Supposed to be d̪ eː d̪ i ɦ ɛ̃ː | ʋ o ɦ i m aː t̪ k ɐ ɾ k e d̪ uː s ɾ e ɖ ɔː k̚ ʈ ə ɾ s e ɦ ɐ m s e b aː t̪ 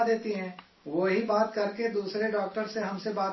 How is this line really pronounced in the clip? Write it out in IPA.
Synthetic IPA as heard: d̪ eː t̪ i ɦ ɛ̃ː | ʋ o ɦ i b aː t̪ k ɐ ɾ k e d̪ uː s ɾ e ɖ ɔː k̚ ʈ ə ɾ s e ɦ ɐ m s e b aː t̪